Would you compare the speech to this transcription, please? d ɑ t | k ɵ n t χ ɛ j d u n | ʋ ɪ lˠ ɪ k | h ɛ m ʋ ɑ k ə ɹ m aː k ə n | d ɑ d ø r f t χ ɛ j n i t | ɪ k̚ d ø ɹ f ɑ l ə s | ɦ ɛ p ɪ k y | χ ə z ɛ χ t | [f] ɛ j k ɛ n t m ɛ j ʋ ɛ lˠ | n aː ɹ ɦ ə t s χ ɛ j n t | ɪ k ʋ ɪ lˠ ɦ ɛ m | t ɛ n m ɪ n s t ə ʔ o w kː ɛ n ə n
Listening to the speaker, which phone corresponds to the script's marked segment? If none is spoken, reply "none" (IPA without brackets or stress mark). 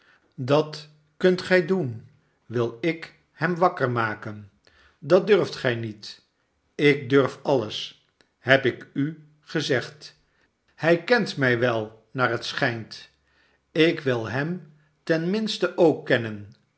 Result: h